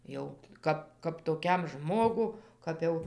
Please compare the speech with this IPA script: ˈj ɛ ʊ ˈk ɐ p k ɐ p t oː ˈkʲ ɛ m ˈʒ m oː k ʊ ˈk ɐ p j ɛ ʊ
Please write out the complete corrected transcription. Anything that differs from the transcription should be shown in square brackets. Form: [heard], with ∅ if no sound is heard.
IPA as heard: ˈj ɛ ʊ ˈk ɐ p k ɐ p t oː ˈkʲ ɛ m ˈʒ m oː [ɡ] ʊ ˈk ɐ p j ɛ ʊ